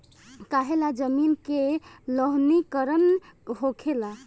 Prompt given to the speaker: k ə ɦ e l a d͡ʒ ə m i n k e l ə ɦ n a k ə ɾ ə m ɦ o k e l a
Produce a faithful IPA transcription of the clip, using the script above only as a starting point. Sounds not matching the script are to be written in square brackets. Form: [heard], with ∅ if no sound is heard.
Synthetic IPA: k [a] ɦ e l a d͡ʒ ə m i n k e l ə ɦ n [i] k ə ɾ ə [n] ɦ o [kʰ] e l a